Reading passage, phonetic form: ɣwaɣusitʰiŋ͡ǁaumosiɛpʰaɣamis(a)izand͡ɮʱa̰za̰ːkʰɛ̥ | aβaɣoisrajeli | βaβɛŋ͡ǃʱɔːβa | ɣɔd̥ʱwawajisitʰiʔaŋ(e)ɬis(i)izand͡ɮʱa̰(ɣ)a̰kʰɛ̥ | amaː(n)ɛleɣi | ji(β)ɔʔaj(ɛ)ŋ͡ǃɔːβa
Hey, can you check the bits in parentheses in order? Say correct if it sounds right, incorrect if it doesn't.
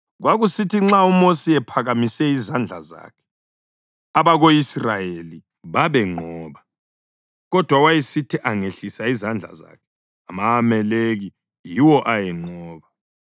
incorrect: ɛ, correct, incorrect: a, incorrect: z, incorrect: m, incorrect: w, correct

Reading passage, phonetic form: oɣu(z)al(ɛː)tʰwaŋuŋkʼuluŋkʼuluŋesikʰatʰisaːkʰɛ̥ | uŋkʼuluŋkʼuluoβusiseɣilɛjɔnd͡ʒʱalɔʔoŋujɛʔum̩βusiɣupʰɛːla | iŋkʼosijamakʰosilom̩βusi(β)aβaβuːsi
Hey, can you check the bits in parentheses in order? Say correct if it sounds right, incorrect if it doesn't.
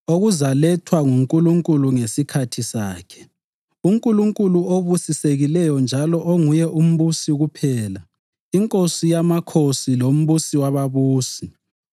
correct, incorrect: ɛ, incorrect: w

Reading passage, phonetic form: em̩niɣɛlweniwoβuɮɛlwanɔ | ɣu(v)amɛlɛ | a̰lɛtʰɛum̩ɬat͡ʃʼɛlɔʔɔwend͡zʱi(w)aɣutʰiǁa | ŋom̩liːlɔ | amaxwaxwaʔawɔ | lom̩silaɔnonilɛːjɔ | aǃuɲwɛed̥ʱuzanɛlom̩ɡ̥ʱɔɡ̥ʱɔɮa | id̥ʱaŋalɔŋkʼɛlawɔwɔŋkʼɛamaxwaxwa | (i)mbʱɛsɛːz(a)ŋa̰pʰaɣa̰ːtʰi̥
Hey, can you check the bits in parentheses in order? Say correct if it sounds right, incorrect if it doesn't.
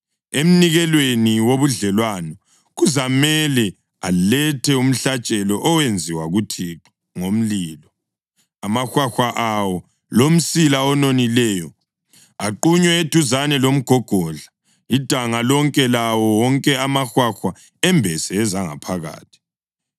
incorrect: z, correct, incorrect: ɛ, correct

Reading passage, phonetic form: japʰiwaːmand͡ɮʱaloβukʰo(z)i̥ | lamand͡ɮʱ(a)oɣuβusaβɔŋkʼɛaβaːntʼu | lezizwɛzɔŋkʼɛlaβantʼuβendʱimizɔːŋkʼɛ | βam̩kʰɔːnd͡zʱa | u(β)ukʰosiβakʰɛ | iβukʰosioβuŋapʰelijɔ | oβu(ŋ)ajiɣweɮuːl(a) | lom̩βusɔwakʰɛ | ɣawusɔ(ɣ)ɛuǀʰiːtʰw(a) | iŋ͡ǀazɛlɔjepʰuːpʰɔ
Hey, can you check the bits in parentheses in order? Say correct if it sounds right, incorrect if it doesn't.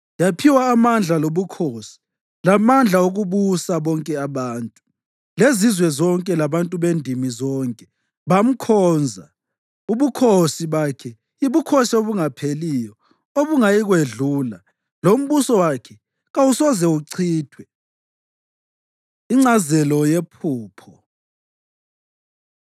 incorrect: s, correct, correct, correct, correct, incorrect: z, incorrect: ɛ

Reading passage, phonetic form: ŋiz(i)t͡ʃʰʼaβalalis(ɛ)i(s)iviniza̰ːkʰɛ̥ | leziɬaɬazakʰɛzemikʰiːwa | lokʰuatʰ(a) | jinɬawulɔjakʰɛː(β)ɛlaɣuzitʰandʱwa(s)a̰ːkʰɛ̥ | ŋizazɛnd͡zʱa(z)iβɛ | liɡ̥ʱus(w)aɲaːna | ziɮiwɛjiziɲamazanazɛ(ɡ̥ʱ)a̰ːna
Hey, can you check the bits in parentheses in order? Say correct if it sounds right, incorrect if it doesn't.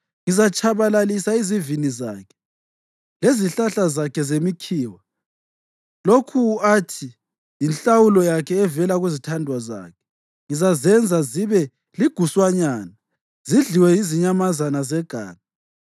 incorrect: a, incorrect: a, incorrect: z, incorrect: i, incorrect: v, incorrect: z, correct, correct, correct

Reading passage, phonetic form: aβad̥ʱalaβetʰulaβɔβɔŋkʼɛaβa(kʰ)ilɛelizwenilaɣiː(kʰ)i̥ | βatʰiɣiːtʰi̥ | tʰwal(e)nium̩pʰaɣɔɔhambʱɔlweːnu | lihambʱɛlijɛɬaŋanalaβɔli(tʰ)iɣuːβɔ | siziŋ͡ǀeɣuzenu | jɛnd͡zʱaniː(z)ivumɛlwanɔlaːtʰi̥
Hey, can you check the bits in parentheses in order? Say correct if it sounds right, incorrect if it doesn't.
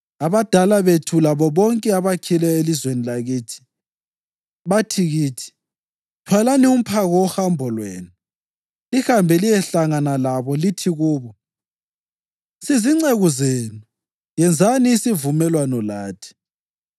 correct, incorrect: tʰ, incorrect: a, correct, incorrect: s

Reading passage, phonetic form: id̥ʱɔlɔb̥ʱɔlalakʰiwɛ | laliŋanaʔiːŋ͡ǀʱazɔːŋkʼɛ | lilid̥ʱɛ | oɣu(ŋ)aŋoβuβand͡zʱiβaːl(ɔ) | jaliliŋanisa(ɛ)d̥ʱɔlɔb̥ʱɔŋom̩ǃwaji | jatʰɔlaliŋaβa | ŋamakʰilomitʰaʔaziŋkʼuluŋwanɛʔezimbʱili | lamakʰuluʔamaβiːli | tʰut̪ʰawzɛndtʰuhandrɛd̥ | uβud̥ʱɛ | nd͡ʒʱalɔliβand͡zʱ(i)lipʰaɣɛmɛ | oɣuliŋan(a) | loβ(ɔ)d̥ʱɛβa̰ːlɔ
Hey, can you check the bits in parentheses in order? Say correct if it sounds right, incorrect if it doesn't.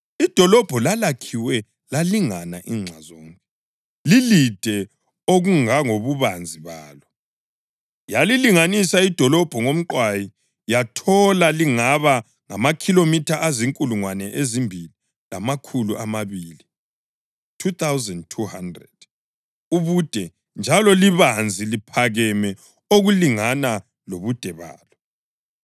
correct, correct, incorrect: i, correct, correct, incorrect: u

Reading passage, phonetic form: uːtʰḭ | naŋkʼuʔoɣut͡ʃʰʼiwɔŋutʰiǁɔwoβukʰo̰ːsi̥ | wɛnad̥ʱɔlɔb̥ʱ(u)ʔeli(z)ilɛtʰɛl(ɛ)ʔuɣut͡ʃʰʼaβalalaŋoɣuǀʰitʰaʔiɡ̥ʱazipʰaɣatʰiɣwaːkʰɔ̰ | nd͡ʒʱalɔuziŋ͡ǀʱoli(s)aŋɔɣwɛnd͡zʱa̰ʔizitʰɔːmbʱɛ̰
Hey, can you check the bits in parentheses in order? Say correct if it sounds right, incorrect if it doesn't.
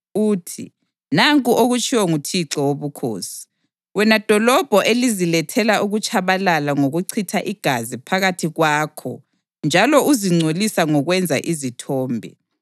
incorrect: ɔ, correct, incorrect: a, correct

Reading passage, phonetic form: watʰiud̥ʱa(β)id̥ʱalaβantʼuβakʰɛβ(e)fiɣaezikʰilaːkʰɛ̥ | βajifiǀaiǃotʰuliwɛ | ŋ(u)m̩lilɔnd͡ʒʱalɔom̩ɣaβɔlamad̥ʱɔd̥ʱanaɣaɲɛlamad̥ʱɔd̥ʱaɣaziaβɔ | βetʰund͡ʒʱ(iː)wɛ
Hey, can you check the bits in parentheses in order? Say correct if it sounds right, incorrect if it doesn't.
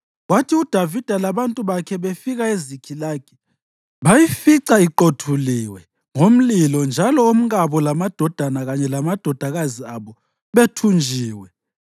incorrect: v, correct, incorrect: o, correct

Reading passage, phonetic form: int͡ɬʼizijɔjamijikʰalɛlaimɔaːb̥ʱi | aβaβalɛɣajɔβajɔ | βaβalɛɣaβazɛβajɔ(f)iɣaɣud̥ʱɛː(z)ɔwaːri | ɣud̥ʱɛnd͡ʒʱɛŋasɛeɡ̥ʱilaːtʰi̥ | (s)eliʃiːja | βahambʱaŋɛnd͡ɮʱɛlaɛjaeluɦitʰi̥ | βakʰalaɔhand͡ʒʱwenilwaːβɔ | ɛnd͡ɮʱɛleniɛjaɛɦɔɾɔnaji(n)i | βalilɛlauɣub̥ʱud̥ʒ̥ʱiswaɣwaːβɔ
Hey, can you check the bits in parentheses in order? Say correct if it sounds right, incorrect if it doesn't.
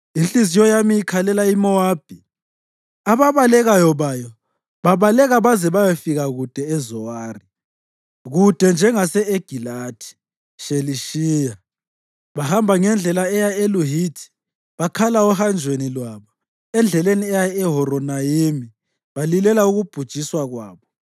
correct, correct, incorrect: ʃ, incorrect: m

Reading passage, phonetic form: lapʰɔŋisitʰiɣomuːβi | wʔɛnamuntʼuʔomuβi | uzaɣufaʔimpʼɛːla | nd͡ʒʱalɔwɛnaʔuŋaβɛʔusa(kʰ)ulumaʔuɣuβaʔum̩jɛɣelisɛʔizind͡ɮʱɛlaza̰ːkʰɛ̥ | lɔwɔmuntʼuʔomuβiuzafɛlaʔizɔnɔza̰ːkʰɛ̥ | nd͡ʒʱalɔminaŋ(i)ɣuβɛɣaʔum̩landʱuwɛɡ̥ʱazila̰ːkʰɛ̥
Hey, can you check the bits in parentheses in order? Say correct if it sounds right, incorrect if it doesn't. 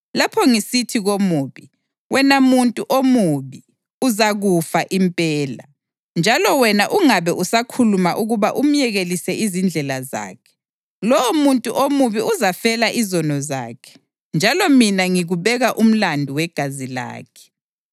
correct, correct

